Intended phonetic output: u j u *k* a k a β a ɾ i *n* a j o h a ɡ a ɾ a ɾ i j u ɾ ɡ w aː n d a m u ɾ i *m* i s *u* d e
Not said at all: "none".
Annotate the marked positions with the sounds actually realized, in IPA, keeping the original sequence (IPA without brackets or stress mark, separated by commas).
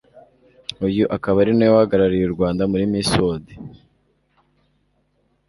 ʔ, n, m, o